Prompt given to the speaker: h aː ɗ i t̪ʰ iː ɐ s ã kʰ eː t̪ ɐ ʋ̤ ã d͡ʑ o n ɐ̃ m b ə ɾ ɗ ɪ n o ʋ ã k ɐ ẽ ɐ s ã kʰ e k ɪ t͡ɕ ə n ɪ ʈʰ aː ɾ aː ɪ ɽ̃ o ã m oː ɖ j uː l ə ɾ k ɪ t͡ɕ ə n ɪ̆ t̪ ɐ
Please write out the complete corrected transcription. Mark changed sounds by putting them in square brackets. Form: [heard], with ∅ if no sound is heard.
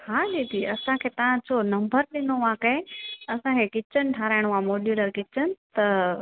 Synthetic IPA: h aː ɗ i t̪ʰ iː ɐ s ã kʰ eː t̪ ɐ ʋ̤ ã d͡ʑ o n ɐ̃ m b ə ɾ ɗ ɪ n o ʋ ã k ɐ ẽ ɐ s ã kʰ e k ɪ t͡ɕ ə n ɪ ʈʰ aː ɾ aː ɪ ɽ̃ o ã m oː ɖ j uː l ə ɾ k ɪ t͡ɕ ə n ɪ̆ t̪ ɐ